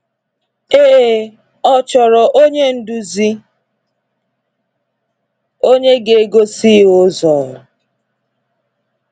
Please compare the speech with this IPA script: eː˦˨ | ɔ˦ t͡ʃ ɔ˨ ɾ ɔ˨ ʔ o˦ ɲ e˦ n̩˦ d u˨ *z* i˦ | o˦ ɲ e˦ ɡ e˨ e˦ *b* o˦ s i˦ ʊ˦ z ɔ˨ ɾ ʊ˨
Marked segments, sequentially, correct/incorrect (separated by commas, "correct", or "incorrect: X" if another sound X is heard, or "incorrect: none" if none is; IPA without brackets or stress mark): correct, incorrect: ɡ